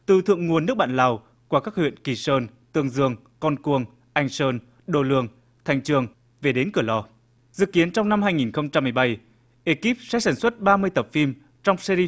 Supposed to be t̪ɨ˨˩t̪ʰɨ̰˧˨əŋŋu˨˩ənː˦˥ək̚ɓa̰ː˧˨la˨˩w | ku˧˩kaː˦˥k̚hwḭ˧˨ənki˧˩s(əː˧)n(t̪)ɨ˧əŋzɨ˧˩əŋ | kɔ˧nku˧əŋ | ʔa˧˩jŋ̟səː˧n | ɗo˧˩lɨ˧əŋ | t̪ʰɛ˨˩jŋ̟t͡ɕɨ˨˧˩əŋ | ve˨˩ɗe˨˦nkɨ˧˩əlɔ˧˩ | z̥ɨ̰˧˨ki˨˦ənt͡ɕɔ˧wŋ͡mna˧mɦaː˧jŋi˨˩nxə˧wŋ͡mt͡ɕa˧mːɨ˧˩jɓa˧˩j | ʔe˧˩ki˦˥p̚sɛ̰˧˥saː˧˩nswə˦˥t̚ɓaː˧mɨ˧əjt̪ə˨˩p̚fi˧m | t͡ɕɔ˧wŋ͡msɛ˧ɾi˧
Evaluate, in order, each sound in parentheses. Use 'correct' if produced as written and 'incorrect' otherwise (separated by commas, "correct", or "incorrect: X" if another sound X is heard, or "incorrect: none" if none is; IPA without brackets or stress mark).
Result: correct, correct